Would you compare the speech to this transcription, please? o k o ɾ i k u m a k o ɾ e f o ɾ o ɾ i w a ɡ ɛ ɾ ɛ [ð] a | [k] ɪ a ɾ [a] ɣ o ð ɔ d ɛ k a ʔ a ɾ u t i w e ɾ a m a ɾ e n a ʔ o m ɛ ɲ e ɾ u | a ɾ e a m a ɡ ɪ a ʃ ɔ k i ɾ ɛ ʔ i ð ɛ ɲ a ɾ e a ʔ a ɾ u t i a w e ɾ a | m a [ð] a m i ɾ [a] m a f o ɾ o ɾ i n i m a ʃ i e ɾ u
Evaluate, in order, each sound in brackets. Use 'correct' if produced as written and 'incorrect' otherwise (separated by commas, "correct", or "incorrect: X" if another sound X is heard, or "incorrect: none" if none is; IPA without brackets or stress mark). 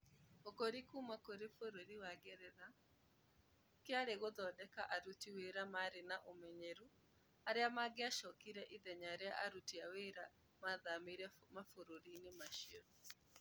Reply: correct, correct, incorrect: e, correct, incorrect: ɛ